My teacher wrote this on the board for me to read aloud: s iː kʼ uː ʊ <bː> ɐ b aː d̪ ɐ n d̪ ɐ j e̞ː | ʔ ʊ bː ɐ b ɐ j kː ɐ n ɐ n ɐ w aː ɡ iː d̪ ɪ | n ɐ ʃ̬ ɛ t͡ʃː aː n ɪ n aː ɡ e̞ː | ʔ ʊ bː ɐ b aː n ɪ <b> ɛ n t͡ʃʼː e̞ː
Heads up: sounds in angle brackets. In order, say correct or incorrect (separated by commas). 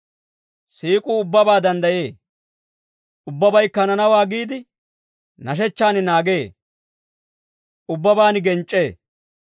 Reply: correct, incorrect